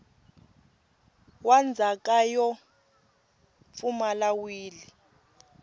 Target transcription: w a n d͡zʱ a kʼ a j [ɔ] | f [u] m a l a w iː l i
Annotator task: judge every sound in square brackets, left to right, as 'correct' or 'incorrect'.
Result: correct, correct

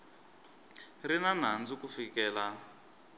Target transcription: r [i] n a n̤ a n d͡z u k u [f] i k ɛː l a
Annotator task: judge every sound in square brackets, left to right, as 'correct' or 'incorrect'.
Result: correct, correct

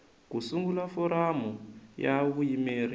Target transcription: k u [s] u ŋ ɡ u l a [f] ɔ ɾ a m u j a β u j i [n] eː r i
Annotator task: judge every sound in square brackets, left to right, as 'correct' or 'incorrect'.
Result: correct, correct, incorrect

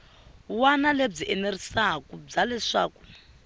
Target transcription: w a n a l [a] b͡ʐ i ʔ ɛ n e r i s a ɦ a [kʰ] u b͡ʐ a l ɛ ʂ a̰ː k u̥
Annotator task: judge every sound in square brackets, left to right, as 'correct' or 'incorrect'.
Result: incorrect, incorrect

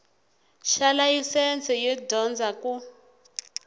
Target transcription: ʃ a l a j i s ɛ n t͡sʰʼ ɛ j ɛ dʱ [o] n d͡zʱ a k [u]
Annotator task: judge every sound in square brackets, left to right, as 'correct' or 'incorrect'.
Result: incorrect, correct

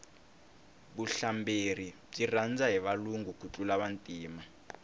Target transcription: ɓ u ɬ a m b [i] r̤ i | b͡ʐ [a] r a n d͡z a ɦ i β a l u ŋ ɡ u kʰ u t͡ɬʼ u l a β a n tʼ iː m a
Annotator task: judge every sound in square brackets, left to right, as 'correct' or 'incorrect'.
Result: incorrect, incorrect

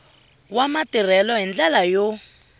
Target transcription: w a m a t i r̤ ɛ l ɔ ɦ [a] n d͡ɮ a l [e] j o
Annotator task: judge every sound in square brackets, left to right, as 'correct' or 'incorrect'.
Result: incorrect, incorrect

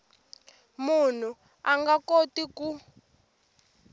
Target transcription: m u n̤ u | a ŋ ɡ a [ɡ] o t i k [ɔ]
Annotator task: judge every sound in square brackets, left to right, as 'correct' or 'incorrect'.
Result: incorrect, incorrect

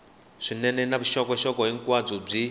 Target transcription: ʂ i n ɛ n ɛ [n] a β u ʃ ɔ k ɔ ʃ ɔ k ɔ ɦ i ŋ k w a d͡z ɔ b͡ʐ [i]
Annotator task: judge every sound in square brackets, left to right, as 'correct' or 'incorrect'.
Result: correct, correct

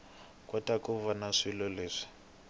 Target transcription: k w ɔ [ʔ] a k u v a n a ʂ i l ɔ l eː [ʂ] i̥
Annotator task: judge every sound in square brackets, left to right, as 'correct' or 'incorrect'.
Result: incorrect, correct

